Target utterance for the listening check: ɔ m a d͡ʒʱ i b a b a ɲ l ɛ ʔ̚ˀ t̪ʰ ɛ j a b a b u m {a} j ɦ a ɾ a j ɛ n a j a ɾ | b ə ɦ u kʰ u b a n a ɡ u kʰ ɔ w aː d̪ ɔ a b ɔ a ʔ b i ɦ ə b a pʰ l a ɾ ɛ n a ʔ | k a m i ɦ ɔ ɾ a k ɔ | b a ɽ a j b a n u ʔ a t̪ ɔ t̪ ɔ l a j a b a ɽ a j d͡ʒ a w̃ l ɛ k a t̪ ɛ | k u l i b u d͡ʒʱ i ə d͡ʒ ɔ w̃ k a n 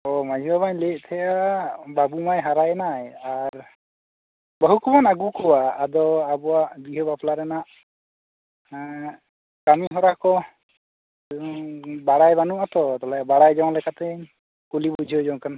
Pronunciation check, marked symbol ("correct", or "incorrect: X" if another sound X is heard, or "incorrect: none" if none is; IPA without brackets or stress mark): correct